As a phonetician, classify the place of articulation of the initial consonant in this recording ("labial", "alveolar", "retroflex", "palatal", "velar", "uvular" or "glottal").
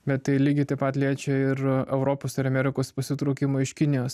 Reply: labial